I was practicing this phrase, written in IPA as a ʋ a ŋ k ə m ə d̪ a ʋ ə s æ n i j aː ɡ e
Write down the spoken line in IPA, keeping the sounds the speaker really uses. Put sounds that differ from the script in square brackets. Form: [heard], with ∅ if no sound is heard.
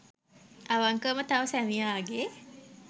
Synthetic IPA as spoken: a ʋ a ŋ k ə m ə [t̪] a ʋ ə s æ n i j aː ɡ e